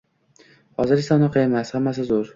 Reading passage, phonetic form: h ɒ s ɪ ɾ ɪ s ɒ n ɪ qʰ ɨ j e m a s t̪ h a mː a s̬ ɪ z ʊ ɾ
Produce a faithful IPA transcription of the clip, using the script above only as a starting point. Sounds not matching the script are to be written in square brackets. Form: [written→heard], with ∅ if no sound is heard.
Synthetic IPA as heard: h ɒ [s→z] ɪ ɾ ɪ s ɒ n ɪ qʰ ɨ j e m a s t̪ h a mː a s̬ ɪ z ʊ ɾ